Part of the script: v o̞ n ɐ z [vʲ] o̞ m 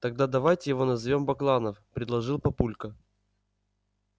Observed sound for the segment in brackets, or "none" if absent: vʲ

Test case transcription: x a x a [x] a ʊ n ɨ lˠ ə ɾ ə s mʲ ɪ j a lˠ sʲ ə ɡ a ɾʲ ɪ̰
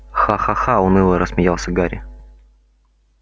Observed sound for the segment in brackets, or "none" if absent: x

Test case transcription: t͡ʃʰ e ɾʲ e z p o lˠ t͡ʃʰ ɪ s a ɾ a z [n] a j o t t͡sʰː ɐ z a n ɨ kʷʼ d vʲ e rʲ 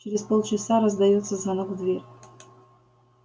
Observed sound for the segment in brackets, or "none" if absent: d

